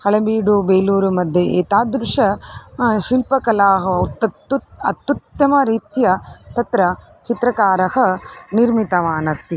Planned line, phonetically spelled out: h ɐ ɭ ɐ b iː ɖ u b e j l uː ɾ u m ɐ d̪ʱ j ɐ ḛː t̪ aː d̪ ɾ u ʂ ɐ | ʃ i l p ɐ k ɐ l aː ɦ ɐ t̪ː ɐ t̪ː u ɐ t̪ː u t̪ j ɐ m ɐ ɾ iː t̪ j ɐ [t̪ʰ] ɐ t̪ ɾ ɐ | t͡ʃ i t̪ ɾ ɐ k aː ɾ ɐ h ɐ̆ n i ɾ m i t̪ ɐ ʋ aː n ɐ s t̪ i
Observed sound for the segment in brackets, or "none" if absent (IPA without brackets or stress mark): t̪